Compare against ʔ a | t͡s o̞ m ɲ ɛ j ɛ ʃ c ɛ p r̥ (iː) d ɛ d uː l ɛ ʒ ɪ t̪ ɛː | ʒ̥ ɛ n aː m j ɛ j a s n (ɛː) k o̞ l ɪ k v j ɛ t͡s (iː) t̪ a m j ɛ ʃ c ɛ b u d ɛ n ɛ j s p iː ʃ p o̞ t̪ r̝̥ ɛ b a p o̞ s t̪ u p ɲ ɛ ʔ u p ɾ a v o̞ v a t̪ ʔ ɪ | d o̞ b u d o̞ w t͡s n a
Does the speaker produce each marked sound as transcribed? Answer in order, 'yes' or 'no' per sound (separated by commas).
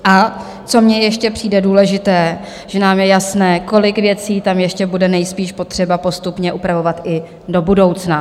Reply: yes, yes, yes